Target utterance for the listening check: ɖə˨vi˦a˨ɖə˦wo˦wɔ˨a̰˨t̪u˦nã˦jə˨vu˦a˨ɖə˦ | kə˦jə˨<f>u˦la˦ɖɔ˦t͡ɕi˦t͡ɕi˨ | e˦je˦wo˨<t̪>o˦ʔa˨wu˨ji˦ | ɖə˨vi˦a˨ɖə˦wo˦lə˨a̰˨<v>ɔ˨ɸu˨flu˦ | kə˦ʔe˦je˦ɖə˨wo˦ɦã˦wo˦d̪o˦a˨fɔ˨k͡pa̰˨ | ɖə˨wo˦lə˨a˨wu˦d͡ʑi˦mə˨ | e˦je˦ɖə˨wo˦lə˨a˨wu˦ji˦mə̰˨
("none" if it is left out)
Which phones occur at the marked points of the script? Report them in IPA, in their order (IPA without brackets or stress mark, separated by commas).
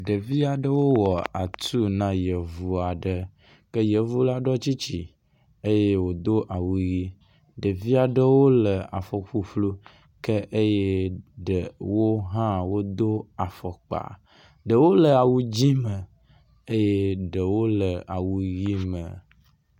v, d̪, f